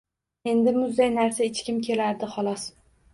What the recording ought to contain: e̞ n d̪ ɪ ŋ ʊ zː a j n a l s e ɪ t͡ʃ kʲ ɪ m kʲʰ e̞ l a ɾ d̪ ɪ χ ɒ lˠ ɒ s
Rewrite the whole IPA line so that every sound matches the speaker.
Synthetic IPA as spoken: e̞ n d̪ ɪ m ʊ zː a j n a ɾ s a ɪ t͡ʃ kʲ ɪ m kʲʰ e̞ l a ɾ d̪ ɪ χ ɒ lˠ ɒ s